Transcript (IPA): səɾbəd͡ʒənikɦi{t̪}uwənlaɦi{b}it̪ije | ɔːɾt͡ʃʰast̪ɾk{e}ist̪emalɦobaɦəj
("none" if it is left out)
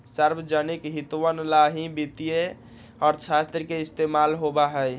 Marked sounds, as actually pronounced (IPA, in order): t̪, b, e

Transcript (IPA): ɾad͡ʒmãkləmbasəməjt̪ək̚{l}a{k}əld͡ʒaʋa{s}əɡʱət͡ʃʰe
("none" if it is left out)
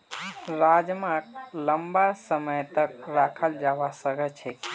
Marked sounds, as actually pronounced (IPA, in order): ɾ, kʰ, s

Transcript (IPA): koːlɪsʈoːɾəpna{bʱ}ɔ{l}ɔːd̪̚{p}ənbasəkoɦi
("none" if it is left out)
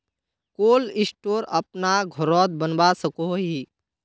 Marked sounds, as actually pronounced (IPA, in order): ɡʱ, ɾ, b

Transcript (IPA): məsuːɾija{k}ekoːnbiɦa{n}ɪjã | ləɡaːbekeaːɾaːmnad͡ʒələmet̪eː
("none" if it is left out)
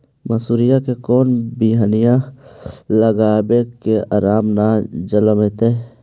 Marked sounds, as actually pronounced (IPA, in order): k, n

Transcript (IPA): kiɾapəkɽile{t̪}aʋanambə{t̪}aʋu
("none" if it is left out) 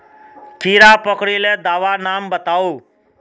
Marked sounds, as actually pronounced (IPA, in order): d̪, t̪

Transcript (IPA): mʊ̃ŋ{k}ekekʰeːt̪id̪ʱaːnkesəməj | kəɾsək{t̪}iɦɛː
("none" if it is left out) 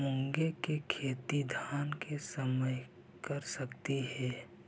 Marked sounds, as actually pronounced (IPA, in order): ɡ, t̪

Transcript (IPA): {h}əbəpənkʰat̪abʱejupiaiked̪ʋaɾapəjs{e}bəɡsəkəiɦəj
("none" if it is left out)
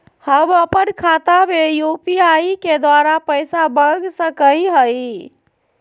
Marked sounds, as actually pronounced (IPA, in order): h, a

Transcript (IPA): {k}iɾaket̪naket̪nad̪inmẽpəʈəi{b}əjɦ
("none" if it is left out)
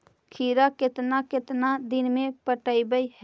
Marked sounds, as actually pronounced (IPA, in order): kʰ, b

